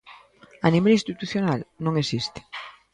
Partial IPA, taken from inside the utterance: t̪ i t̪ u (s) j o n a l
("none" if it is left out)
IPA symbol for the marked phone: θ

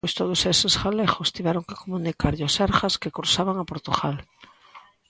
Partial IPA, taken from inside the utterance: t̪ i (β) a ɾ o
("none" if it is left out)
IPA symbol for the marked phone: β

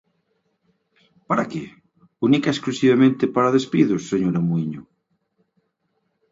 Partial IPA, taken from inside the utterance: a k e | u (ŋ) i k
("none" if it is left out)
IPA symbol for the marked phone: n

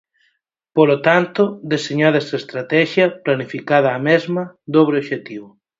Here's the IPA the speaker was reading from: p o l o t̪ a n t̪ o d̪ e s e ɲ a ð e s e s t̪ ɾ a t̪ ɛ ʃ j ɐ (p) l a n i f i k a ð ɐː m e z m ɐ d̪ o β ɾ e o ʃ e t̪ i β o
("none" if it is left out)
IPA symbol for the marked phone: p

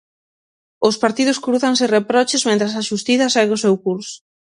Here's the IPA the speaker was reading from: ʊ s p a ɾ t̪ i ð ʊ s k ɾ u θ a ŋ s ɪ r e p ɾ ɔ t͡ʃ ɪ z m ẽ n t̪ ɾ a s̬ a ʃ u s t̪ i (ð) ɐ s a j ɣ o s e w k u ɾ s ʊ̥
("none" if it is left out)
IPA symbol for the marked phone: θ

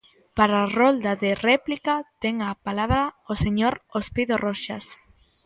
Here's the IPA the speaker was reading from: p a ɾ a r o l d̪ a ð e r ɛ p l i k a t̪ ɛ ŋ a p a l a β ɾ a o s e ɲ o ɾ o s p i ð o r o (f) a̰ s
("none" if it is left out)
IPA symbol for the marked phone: ʃ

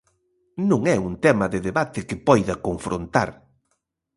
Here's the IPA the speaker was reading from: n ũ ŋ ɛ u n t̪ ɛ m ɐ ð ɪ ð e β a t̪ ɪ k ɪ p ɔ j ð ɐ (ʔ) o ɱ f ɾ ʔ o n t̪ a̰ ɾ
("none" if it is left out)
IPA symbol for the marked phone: k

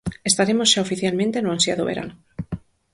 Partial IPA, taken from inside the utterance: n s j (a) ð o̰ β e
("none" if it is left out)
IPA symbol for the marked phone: a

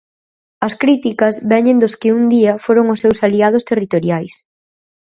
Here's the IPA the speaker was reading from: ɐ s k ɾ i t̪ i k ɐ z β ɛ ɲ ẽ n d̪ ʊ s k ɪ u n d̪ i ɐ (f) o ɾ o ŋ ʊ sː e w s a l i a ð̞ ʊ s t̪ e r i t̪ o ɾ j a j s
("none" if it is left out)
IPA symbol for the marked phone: f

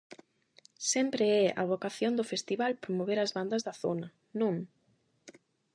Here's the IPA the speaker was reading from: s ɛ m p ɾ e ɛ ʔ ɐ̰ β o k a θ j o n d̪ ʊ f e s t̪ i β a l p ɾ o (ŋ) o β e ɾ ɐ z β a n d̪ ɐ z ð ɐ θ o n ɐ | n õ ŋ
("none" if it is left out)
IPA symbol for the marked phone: m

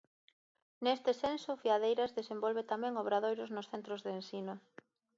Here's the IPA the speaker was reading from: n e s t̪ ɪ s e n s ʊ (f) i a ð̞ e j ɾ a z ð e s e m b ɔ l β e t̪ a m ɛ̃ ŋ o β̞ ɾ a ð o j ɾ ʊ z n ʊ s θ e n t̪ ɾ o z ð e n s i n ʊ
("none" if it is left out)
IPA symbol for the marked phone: f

